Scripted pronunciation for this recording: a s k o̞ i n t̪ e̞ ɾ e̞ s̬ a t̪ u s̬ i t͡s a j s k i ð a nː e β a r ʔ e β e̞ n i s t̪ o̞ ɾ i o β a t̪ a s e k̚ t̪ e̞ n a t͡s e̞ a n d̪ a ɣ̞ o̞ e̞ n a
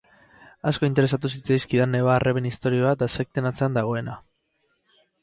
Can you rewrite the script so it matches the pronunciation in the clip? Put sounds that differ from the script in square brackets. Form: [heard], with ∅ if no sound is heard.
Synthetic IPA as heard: a s k o̞ i n t̪ e̞ ɾ e̞ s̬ a t̪ u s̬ i t͡s a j s k i ð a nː e β a r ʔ e β e̞ n i s t̪ o̞ ɾ i o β a t̪ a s e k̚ t̪ e̞ n a t͡s e̞ a n d̪ a ɣ̞ o̞ e̞ n a

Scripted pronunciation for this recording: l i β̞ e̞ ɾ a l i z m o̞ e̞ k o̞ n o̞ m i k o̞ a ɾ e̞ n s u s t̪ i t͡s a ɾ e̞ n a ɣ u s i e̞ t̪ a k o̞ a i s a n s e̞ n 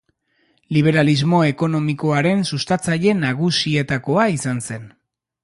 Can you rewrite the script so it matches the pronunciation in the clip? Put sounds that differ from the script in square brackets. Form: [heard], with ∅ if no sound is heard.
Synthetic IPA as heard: l i β̞ e̞ ɾ a l i z m o̞ e̞ k o̞ n o̞ m i k o̞ a ɾ e̞ n s u s t̪ [a] t͡s a [ʎ] e̞ n a ɣ u s i e̞ t̪ a k o̞ a i s a n s e̞ n

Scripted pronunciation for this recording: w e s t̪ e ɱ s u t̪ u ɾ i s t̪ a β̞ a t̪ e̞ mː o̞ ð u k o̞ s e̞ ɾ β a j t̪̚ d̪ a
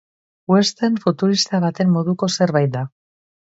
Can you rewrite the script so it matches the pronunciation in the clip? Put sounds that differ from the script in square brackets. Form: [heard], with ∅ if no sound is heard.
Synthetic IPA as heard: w e s t̪ e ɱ [f] u t̪ u ɾ i s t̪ a β̞ a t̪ e̞ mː o̞ ð u k o̞ s e̞ ɾ β a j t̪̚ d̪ a

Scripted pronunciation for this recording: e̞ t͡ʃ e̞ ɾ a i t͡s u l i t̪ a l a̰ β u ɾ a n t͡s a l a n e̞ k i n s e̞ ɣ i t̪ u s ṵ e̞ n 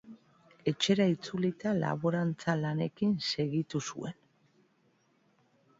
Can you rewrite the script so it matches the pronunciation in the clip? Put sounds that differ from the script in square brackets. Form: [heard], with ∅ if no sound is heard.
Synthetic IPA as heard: e̞ t͡ʃ e̞ ɾ a i t͡s u l i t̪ a l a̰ β [o] ɾ a n t͡s a l a n e̞ k i n s e̞ ɣ i t̪ u s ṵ e̞ n

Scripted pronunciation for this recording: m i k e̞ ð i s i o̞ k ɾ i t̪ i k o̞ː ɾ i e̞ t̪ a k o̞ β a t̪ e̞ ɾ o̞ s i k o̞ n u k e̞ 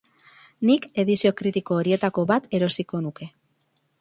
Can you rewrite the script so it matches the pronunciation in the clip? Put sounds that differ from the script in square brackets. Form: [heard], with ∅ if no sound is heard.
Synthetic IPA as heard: [n] i k e̞ ð i s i o̞ k ɾ i t̪ i k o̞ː ɾ i e̞ t̪ a k o̞ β a t̪ e̞ ɾ o̞ s i k o̞ n u k e̞

